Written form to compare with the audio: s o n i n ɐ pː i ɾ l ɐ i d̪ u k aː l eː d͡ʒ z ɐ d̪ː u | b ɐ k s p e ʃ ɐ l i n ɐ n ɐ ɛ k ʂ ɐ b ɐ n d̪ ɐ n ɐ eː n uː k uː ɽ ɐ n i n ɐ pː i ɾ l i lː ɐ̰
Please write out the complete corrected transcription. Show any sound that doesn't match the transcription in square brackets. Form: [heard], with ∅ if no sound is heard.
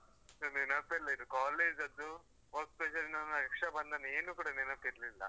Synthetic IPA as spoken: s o n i n ɐ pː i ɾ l ɐ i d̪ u k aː l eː d͡ʒ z ɐ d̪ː u | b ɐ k s p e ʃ ɐ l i n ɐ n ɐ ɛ k ʂ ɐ b ɐ n d̪ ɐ n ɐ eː n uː k uː ɽ ɐ n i n ɐ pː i ɾ l i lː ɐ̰